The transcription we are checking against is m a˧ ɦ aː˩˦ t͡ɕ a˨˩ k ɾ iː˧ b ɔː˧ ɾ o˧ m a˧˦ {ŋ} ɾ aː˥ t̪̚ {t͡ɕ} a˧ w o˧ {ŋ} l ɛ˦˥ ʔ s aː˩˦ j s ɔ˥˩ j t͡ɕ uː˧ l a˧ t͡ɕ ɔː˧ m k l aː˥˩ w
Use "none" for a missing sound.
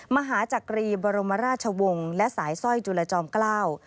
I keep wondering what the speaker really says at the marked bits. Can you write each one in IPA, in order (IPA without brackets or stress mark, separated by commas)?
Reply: none, t͡ɕʰ, ŋ